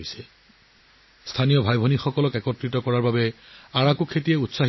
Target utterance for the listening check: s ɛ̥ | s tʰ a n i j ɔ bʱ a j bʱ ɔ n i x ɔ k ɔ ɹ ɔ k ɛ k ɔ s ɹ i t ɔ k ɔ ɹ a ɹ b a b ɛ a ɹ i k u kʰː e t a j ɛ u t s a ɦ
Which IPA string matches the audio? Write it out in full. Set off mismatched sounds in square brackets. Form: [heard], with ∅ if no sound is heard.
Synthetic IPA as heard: s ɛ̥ | s tʰ a n i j ɔ bʱ a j bʱ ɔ n i x ɔ k ɔ [l] ɔ k ɛ k ɔ [t] ɹ i t ɔ k ɔ ɹ a ɹ b a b ɛ a ɹ [a] k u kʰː e t [i] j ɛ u t s a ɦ